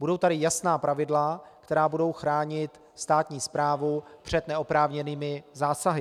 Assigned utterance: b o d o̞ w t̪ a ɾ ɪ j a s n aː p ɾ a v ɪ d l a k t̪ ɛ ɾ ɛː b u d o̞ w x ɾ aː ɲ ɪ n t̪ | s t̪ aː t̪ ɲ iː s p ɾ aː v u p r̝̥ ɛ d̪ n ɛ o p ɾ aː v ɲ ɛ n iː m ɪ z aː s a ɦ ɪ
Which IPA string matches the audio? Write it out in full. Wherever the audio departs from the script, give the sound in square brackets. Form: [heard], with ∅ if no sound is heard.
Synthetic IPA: b [u] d o̞ w t̪ a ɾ ɪ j a s n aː p ɾ a v ɪ d l a k t̪ ɛ ɾ [aː] b u d o̞ w x ɾ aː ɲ ɪ [∅] t̪ | s t̪ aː t̪ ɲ iː s p ɾ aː v u p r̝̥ ɛ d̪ n ɛ o p ɾ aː v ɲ ɛ n iː m ɪ z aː s a ɦ ɪ